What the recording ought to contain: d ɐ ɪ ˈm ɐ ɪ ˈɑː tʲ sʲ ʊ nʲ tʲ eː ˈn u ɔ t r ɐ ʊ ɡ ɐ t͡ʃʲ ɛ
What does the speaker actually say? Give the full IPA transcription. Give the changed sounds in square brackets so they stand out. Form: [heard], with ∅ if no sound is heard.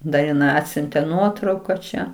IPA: d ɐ ɪ [ˈn] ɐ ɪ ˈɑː tʲ sʲ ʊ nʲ tʲ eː ˈn u ɔ t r ɐ ʊ [k] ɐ t͡ʃʲ ɛ